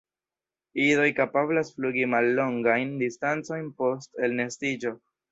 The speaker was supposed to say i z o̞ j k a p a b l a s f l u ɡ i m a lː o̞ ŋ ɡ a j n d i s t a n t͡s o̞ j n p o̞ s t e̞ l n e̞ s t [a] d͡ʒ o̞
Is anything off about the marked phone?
yes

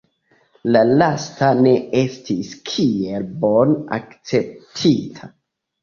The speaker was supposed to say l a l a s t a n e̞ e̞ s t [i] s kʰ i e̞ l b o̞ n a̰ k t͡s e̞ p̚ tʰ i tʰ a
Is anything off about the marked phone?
no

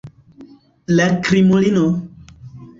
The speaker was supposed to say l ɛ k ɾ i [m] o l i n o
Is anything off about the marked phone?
no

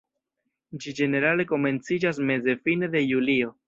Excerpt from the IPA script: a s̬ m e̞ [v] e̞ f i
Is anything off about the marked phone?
yes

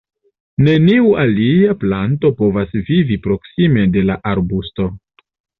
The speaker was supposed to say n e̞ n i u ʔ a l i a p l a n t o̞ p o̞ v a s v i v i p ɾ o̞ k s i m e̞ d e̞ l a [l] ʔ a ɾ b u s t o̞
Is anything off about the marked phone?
yes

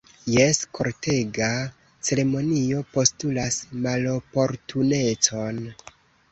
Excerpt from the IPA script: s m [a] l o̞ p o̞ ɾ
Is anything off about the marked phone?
no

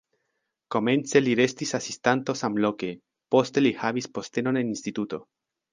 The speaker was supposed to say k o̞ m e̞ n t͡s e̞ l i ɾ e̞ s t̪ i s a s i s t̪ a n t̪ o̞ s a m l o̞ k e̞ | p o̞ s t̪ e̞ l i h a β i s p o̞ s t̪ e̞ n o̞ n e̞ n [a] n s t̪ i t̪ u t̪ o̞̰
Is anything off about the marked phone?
yes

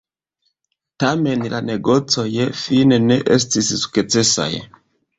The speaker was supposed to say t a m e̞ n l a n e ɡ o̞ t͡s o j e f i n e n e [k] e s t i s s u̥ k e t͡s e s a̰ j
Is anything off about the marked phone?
yes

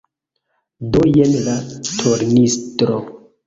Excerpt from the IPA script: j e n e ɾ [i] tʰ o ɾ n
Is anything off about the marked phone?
yes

